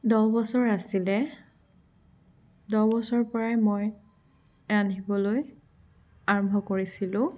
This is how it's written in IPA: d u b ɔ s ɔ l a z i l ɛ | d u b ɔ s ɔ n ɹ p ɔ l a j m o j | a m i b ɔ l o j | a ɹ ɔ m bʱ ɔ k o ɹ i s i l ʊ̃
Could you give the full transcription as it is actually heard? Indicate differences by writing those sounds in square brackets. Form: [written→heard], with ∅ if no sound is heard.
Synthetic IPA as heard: d [u→ɔ] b ɔ s ɔ [l→ɹ] a [z→s] i l ɛ | d [u→ɔ] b ɔ s ɔ [n→∅] ɹ p ɔ [l→ɹ] a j m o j | a [m→n] i b ɔ l o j | a ɹ ɔ m bʱ ɔ k o ɹ i s i l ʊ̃